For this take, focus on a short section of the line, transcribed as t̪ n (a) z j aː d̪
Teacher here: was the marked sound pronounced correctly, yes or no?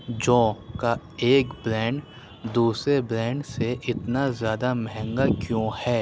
yes